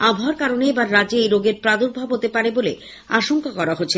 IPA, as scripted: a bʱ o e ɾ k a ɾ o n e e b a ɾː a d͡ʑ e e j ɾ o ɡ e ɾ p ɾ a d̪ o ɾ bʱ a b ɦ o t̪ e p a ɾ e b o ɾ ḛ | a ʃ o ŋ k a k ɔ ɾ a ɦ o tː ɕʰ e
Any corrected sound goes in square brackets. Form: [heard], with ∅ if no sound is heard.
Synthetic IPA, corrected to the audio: a bʱ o [a] ɾ k a ɾ o n e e b a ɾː a d͡ʑ e e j ɾ o ɡ e ɾ p ɾ a d̪ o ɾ bʱ a b ɦ o t̪ e p a ɾ e b o [l] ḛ | a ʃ o ŋ k a k ɔ ɾ a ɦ o tː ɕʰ e

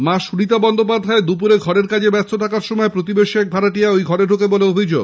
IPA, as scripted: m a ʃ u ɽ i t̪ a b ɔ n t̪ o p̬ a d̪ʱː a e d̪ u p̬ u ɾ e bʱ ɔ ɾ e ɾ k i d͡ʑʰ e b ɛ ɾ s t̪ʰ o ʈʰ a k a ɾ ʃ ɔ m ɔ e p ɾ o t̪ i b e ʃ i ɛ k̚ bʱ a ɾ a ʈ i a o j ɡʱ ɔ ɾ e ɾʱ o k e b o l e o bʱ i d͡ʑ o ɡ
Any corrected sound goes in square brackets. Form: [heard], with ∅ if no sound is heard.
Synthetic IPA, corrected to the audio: m a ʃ u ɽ i t̪ a b ɔ n [d̪] o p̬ a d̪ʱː a e d̪ u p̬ u ɾ e [ɡʱ] ɔ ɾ e ɾ k [a] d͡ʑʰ e b ɛ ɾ s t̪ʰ o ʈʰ a k a ɾ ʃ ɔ m ɔ e p ɾ o t̪ i b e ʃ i ɛ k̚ bʱ a ɾ a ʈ i a o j ɡʱ ɔ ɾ e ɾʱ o k e b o l e o bʱ i d͡ʑ o ɡ

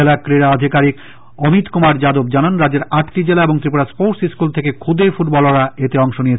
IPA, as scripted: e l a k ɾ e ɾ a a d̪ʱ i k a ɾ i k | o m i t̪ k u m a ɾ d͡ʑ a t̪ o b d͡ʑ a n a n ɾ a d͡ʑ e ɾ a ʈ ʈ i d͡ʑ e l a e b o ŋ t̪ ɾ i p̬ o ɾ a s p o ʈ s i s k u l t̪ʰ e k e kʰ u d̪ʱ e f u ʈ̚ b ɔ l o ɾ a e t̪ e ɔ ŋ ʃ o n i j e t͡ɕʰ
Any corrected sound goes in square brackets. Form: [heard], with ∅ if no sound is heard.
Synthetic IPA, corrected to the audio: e l a k ɾ e ɾ a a d̪ʱ i k a ɾ i k | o m i t̪ k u m a ɾ d͡ʑ a [d̪] o b d͡ʑ a n a n ɾ a d͡ʑ e ɾ a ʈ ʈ i d͡ʑ e l a e b o ŋ t̪ ɾ i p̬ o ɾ a s p o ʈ s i s k u l t̪ʰ e k e kʰ u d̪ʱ e f u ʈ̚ b ɔ l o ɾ a e t̪ e ɔ ŋ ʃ o n i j e t͡ɕʰ

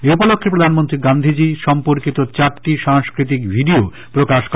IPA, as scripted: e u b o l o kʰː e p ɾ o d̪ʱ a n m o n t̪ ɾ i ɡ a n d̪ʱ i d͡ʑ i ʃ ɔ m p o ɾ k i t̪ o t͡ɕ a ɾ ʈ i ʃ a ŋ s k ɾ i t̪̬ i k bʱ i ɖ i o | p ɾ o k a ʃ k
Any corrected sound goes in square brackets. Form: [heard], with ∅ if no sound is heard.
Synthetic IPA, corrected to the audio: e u [p] o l o kʰː e p ɾ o d̪ʱ a n m o n t̪ ɾ i ɡ a n d̪ʱ i d͡ʑ i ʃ ɔ m p o ɾ k i t̪ o t͡ɕ a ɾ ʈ i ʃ a ŋ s k ɾ i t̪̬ i k bʱ i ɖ i o | p ɾ o k a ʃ k

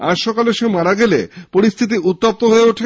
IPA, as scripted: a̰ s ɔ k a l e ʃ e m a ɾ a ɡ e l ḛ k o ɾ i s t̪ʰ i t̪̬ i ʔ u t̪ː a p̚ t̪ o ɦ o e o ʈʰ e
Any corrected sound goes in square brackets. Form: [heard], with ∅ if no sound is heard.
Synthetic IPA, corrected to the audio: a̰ [ʃ] ɔ k a l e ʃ e m a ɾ a ɡ e l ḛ [p] o ɾ i s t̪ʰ i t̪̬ i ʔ u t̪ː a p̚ t̪ o ɦ o e o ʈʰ e

